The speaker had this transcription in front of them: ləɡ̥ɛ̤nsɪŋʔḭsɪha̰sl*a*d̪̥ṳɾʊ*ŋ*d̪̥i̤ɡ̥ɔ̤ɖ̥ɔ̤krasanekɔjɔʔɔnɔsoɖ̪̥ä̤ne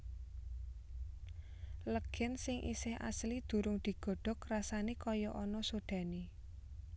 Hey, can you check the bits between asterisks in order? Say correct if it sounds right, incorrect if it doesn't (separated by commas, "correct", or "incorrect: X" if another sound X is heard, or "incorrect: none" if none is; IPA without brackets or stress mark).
incorrect: i, correct